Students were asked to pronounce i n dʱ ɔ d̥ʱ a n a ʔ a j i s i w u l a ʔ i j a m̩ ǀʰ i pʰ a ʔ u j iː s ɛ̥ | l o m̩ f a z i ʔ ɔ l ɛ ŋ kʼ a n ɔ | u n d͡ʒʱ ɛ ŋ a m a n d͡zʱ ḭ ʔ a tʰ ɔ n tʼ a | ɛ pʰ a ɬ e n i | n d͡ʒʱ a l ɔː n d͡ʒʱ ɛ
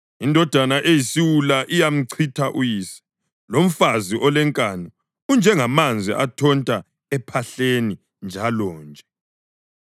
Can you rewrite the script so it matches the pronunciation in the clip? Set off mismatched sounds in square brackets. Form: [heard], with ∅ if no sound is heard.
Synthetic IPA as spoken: i n dʱ ɔ d̥ʱ a n a ʔ [e] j i s i w u l a ʔ i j a m̩ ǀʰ i [tʰ] a ʔ u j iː s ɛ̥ | l o m̩ f a z i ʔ ɔ l ɛ ŋ kʼ a n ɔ | u n d͡ʒʱ ɛ ŋ a m a n d͡zʱ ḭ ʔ a tʰ ɔ n tʼ a | ɛ pʰ a ɬ e n i | n d͡ʒʱ a l ɔː n d͡ʒʱ ɛ

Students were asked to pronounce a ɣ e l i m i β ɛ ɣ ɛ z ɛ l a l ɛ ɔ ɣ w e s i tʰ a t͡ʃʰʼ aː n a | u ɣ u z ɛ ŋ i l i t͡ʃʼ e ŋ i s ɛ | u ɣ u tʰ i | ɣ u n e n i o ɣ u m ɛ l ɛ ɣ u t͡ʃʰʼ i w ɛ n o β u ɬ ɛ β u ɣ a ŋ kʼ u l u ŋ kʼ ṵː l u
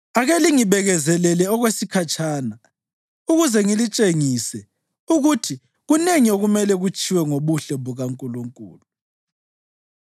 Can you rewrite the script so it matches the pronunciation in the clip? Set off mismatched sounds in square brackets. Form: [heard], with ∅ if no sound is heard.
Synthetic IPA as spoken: a ɣ e l i [ŋ] i β ɛ ɣ ɛ z ɛ l [ɛ] l ɛ ɔ ɣ w e s i [kʰ] a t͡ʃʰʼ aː n a | u ɣ u z ɛ ŋ i l i t͡ʃʼ e ŋ i s ɛ | u ɣ u tʰ i | ɣ u n e [ŋ] i o ɣ u m ɛ l ɛ ɣ u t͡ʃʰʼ i w ɛ [ŋ] o β u ɬ ɛ β u ɣ a ŋ kʼ u l u ŋ kʼ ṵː l u

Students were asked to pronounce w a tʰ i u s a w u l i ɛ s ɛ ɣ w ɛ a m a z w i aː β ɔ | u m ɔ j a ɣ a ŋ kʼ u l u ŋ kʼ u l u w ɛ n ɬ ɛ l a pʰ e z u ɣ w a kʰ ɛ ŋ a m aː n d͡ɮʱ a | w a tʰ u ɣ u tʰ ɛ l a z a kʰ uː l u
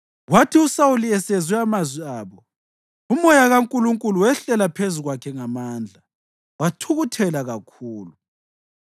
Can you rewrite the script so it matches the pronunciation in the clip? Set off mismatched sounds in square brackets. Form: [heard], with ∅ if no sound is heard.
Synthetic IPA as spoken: w a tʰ i u s a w u l i ɛ s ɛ [z] w ɛ a m a z w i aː β ɔ | u m ɔ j a ɣ a ŋ kʼ u l u ŋ kʼ u l u w ɛ [∅] ɬ ɛ l a pʰ e z u ɣ w a kʰ ɛ ŋ a m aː n d͡ɮʱ a | w a tʰ u ɣ u tʰ ɛ l a [ɣ] a kʰ uː l u

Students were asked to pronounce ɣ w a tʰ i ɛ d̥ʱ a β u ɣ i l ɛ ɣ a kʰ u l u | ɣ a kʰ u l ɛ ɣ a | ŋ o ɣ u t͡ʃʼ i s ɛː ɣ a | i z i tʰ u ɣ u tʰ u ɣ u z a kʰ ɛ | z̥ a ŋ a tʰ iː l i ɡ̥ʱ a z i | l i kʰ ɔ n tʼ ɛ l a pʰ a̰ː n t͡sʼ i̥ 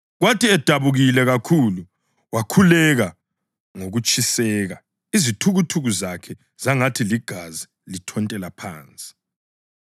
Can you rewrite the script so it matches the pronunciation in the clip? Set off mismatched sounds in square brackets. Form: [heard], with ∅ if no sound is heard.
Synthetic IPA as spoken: ɣ w a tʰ i ɛ d̥ʱ a β u ɣ i l ɛ ɣ a kʰ u l u | [w] a kʰ u l ɛ ɣ a | ŋ o ɣ u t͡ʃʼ i s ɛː ɣ a | i z i tʰ u ɣ u tʰ u ɣ u z a kʰ ɛ | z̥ a ŋ a tʰ [i] l i ɡ̥ʱ a z i | l i [tʰ] ɔ n tʼ ɛ l a pʰ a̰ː n t͡sʼ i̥

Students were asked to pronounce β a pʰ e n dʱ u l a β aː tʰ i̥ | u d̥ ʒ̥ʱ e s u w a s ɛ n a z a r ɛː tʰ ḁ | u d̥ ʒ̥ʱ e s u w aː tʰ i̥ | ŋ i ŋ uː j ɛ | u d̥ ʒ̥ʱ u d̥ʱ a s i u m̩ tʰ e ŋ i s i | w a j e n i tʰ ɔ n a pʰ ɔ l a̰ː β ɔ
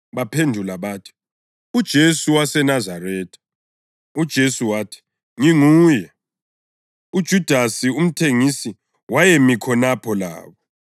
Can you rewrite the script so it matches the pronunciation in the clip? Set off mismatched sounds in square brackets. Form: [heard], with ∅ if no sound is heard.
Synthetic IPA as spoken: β a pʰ e n dʱ u l a β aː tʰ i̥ | u d̥ ʒ̥ʱ e s u w a s ɛ n a z a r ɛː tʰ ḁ | u d̥ ʒ̥ʱ e s u w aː tʰ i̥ | ŋ i ŋ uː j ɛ | u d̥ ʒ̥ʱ u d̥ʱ a s i u m̩ tʰ e ŋ i s i | w a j e [m] i [kʰ] ɔ n a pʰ ɔ l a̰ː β ɔ

